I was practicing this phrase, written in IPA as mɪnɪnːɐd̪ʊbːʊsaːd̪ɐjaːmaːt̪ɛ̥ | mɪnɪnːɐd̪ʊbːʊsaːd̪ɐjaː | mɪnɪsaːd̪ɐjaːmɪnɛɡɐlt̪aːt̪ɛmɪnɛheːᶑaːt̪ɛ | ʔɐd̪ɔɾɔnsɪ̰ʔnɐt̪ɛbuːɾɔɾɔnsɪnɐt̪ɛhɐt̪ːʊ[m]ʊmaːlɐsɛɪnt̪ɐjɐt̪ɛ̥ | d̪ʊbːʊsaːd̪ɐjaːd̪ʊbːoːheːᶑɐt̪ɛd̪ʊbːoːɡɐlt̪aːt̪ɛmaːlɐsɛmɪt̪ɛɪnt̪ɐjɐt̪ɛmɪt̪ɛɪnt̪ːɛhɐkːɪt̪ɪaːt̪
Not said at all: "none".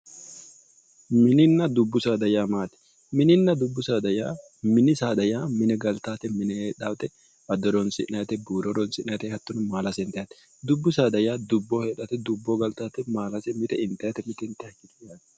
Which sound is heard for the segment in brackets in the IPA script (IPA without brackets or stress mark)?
n